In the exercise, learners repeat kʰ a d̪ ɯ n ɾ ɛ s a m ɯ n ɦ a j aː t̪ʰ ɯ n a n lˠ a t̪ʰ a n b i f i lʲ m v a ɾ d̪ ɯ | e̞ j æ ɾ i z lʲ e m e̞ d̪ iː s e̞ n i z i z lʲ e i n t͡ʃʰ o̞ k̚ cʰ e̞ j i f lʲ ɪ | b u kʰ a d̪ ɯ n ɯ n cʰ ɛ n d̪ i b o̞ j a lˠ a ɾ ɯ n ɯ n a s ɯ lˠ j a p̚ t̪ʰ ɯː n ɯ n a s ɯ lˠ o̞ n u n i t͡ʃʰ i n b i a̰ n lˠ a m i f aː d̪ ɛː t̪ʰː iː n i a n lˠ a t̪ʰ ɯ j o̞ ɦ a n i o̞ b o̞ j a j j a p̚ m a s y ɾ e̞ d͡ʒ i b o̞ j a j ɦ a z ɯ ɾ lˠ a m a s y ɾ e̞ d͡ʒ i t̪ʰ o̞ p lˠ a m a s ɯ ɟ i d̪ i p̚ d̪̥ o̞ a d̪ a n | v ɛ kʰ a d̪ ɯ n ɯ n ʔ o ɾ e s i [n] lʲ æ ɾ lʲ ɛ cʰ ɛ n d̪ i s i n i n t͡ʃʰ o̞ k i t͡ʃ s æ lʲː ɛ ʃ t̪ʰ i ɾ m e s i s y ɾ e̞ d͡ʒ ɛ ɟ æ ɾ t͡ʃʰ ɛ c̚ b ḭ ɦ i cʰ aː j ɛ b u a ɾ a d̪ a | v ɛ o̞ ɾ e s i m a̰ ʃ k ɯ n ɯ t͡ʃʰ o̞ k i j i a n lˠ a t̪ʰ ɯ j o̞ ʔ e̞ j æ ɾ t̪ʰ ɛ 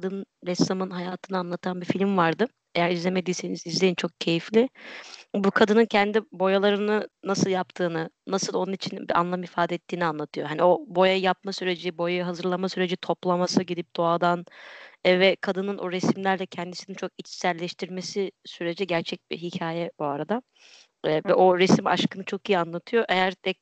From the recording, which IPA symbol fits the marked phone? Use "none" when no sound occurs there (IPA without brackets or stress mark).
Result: m